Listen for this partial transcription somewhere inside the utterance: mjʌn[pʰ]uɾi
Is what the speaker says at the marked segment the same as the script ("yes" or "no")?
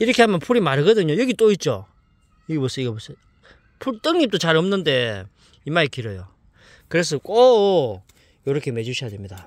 yes